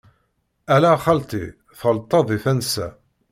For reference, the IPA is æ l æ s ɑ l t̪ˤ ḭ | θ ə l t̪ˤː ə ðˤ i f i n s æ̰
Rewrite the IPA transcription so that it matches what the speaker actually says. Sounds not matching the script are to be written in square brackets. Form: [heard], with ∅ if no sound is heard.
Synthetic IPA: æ l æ [χ] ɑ l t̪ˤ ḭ | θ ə l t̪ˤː [ɑ] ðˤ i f [æ] n s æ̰